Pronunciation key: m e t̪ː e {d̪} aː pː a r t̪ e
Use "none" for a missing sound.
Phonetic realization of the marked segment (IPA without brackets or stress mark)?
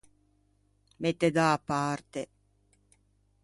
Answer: d̪